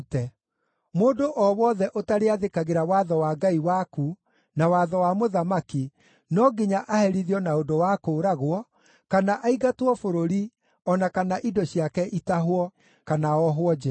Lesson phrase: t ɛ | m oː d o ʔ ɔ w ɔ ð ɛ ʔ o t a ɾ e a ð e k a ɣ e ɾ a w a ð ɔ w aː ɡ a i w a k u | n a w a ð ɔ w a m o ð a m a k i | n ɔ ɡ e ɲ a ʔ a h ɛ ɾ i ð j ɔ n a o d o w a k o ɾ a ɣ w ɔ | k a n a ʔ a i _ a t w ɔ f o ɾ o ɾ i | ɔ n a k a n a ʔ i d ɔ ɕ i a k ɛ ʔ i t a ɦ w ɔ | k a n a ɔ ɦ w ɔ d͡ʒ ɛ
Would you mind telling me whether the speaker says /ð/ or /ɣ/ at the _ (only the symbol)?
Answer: ɣ